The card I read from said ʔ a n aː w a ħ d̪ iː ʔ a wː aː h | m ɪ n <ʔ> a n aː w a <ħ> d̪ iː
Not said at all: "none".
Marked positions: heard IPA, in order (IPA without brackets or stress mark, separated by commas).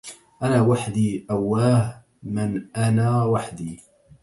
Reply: ʔ, ħ